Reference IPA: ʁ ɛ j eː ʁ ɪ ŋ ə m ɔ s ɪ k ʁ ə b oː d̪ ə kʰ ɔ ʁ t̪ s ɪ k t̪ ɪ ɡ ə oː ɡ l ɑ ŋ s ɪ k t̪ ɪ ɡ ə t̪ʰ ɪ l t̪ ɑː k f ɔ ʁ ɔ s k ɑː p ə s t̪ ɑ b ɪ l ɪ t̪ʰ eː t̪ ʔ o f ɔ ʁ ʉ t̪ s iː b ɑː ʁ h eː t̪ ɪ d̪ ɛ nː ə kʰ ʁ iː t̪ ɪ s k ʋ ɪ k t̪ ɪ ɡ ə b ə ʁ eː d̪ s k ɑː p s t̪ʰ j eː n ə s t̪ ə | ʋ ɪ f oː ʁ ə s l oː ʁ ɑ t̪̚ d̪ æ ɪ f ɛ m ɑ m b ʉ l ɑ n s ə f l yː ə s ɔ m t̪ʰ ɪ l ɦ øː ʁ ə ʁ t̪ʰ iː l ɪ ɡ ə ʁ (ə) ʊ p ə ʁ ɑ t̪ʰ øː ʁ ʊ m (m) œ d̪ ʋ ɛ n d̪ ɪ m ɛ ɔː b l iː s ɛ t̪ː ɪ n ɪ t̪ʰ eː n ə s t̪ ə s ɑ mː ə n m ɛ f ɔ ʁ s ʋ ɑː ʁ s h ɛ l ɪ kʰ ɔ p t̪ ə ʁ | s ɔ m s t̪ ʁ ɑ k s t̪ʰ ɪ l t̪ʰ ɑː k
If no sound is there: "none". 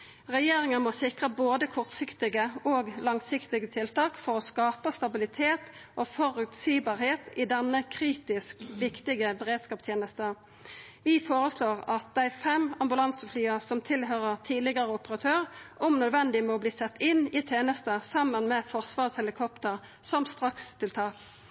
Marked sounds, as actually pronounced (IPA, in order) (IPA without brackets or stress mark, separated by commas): ə, n